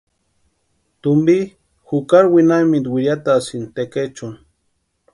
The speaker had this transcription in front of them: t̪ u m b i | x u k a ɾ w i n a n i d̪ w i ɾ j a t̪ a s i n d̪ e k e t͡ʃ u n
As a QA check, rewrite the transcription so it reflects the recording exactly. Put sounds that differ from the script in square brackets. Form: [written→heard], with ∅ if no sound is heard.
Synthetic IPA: t̪ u m b i | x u k a ɾ w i n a [n→m] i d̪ w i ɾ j a t̪ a s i n [d̪→t̪] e k e t͡ʃ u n